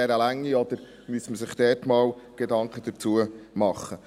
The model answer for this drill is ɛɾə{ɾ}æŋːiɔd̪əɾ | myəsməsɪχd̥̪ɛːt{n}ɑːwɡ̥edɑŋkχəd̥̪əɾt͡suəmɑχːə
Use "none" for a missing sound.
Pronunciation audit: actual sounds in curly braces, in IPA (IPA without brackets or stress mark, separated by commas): l, m